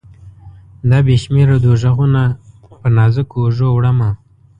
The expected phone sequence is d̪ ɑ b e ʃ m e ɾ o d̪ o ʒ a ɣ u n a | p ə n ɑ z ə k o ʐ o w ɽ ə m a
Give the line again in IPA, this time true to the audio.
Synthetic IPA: d̪ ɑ b e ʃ m e ɾ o d̪ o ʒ a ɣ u n a | p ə n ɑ z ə k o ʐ o w ɽ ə m a